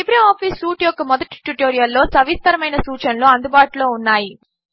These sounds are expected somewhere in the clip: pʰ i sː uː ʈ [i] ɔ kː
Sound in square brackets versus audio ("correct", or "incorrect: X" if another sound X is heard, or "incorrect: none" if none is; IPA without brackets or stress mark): incorrect: j